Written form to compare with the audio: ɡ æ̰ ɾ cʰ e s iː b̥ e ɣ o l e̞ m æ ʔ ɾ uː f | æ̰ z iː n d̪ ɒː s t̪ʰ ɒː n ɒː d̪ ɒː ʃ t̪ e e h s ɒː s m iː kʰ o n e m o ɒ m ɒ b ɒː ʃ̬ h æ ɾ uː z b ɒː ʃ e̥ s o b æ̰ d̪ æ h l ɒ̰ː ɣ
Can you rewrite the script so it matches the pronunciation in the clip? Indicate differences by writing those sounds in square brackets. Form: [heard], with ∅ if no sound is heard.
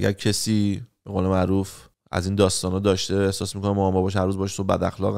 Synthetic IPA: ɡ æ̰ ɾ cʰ e s iː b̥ e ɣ o l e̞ m æ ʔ ɾ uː f | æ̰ z iː n d̪ ɒː s [t̪] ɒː n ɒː d̪ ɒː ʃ t̪ e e h s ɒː s m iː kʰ o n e m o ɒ m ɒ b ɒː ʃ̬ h æ ɾ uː z b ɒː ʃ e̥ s o b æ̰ d̪ æ [x] l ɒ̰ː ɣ